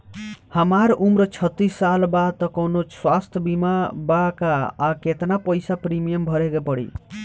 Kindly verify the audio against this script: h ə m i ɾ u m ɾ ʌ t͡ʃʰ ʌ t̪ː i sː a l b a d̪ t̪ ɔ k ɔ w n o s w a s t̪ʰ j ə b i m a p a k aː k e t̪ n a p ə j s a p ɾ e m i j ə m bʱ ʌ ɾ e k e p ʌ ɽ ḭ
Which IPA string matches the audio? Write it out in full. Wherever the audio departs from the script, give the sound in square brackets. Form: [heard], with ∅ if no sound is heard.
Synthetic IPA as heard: h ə m [a] ɾ u m ɾ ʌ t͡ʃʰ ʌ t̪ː i sː a l b a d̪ t̪ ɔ k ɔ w n o s w a s t̪ʰ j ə b i m a [b] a k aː k e t̪ n a p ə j s a p ɾ [i] m i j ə m bʱ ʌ ɾ e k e p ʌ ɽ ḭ